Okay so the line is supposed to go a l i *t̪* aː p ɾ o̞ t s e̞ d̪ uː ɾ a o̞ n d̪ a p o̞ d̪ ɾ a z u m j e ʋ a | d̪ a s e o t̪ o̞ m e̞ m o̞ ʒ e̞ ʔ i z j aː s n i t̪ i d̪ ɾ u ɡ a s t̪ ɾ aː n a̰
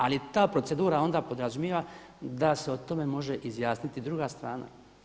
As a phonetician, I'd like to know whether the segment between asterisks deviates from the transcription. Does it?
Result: no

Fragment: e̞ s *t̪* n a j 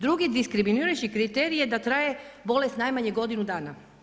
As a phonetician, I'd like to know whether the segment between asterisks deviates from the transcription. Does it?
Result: no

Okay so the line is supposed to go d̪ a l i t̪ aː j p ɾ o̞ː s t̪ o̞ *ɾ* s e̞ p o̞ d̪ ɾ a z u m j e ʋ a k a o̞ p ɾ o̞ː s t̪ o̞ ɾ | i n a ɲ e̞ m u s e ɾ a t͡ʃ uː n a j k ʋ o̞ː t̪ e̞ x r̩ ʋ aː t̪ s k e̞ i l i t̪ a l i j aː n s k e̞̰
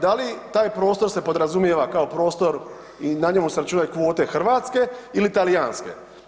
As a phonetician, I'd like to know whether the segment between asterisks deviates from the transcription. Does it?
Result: no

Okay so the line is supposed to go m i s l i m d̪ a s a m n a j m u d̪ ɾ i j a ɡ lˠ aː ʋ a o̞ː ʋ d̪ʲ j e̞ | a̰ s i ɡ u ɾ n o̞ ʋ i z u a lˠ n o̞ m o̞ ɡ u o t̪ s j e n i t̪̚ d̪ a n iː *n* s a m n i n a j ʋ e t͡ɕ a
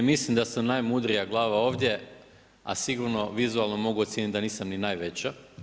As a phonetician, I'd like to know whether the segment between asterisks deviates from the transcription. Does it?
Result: yes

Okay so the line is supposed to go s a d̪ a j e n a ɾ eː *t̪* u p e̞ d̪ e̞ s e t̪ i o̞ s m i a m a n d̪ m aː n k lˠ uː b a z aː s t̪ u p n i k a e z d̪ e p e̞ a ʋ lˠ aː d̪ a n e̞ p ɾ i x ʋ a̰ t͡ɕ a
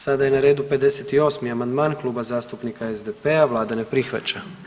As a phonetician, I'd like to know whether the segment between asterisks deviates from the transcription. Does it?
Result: yes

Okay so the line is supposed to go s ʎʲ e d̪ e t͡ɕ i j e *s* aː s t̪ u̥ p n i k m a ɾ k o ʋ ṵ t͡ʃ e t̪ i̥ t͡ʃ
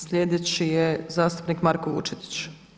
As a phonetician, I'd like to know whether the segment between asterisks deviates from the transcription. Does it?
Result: yes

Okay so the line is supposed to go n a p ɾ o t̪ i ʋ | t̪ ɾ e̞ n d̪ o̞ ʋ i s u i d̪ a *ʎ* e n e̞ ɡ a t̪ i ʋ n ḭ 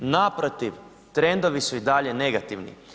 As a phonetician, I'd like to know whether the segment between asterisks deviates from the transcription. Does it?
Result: no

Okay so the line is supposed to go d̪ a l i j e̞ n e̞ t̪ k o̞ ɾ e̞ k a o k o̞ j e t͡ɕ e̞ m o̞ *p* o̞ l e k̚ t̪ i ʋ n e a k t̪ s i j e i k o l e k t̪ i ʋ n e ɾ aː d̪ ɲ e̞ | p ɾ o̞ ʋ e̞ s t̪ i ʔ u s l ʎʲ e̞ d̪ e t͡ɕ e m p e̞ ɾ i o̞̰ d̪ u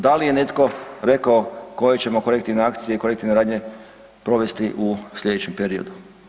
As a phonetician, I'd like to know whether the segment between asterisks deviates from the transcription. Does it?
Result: yes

